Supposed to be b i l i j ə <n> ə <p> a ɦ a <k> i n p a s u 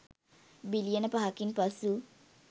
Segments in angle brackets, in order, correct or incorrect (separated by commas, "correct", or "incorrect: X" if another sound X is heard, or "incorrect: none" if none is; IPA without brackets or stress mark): correct, correct, correct